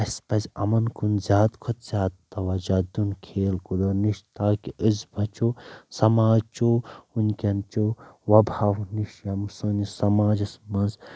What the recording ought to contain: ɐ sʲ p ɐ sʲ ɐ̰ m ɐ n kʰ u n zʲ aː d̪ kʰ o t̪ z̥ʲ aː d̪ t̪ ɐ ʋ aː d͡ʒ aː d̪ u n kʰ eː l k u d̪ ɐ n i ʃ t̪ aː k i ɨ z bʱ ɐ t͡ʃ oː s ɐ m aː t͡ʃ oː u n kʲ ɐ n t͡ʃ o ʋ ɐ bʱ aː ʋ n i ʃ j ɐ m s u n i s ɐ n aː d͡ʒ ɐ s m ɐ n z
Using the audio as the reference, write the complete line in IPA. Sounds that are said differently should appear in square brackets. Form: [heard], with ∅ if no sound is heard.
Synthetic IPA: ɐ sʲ p ɐ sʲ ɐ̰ m ɐ n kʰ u n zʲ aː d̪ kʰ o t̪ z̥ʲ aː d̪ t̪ ɐ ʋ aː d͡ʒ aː d̪ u n kʰ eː l k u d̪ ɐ n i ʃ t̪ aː k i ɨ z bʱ ɐ t͡ʃ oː s ɐ m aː t͡ʃ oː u n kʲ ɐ n t͡ʃ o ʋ ɐ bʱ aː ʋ n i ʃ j ɐ m s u n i s ɐ [m] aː d͡ʒ ɐ s m ɐ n z